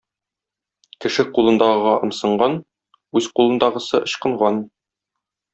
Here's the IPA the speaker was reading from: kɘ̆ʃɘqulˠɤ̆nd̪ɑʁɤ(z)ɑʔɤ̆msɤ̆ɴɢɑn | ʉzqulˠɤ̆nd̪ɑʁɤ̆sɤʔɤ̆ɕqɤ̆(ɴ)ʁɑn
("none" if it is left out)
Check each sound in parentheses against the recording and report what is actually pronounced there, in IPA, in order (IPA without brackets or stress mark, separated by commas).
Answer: ʁ, ɴ